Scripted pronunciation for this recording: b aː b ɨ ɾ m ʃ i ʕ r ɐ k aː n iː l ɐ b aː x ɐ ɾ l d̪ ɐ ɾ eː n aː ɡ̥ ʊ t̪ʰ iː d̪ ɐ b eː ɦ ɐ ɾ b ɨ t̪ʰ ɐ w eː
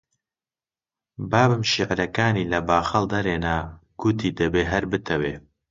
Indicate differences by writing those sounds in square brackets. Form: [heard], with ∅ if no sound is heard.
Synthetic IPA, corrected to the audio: b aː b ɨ [∅] m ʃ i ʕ [ɾ] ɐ k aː n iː l ɐ b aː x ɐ [∅] l d̪ ɐ ɾ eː n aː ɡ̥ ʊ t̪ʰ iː d̪ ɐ b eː ɦ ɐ ɾ b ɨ t̪ʰ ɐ w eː

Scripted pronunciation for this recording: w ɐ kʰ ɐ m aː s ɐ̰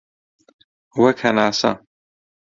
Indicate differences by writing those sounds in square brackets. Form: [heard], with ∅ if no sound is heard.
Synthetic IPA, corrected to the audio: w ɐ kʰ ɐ [n] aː s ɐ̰

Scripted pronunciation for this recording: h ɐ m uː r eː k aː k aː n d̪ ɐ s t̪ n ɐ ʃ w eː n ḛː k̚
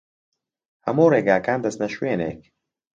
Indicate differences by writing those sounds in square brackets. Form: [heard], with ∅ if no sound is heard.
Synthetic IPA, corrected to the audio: h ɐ m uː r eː [ɡ] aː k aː n d̪ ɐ s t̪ n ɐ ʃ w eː n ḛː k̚

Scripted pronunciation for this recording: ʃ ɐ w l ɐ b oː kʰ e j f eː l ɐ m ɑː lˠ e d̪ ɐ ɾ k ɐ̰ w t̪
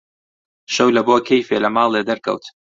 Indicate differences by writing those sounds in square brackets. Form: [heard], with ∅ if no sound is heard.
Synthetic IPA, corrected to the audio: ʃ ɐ w l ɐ b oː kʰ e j f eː l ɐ m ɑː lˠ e d̪ ɐ ɾ k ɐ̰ w t̪

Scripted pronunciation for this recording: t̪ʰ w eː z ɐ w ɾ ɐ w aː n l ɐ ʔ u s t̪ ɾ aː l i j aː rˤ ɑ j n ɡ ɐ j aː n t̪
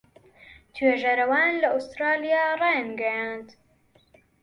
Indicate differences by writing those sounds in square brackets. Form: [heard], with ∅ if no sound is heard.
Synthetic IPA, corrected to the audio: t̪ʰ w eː [ʒ] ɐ [∅] ɾ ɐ w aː n l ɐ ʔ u s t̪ ɾ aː l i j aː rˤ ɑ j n ɡ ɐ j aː n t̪

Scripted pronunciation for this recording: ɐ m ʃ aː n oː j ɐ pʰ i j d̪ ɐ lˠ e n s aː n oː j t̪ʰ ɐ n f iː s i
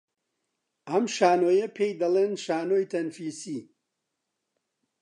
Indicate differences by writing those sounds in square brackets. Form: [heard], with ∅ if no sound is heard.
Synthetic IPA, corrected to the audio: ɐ m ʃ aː n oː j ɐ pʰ [e] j d̪ ɐ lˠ e n [ʃ] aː n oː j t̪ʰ ɐ n f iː s i

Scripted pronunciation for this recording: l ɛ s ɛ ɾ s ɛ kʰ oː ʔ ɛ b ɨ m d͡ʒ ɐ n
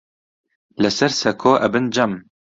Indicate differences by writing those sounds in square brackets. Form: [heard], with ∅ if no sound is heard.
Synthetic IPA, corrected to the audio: l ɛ s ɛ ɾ s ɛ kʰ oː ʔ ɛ b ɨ [n] d͡ʒ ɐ [m]

